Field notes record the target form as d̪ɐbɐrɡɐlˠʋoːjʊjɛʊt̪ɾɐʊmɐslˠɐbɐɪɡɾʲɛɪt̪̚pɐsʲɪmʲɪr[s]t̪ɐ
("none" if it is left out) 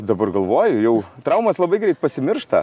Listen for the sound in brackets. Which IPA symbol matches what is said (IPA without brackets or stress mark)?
ʃ